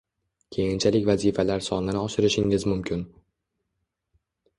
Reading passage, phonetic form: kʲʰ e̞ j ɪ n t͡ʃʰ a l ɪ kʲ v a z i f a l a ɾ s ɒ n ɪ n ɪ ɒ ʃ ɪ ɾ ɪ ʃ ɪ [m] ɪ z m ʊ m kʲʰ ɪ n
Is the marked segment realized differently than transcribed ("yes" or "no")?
yes